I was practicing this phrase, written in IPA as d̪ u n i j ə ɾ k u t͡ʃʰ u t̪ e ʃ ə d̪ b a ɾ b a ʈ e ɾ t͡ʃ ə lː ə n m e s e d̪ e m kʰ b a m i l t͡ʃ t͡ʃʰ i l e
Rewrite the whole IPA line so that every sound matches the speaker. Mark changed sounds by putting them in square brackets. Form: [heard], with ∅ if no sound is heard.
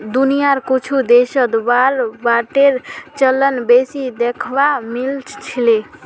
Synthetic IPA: d̪ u n i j [a] ɾ k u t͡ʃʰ u [d̪] e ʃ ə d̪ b a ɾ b a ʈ e ɾ t͡ʃ ə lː ə n [b] e s [i] d̪ e [∅] kʰ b a m i l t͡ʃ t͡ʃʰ i l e